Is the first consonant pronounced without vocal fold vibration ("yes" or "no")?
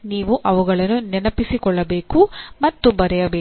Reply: no